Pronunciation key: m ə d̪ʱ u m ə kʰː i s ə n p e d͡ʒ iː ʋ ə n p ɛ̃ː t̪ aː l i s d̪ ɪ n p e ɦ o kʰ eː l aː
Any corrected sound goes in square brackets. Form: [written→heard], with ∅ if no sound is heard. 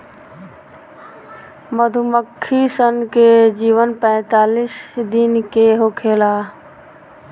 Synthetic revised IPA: m ə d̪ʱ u m ə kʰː i s ə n [p→k] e d͡ʒ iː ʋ ə n p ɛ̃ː t̪ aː l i s d̪ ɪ n [p→k] e ɦ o kʰ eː l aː